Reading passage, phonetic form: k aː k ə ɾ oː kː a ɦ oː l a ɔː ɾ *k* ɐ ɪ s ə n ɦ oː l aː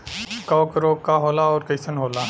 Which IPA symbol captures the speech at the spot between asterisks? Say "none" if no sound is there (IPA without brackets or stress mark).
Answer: k